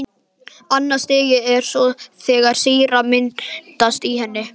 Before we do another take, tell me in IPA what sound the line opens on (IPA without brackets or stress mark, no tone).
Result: a